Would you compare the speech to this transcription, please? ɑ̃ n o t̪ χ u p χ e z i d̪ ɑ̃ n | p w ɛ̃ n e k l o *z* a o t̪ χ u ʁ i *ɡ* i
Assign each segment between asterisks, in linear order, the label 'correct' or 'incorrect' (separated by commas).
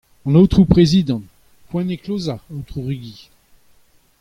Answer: correct, correct